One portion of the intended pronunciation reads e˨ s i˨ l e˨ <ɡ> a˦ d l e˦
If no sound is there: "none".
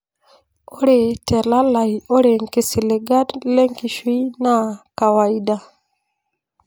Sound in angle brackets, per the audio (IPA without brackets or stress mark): ɡ